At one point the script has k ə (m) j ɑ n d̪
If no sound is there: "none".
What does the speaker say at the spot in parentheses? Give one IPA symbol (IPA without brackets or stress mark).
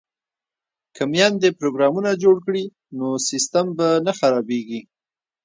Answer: m